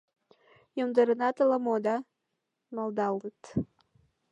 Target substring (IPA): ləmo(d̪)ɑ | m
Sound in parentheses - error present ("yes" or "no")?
no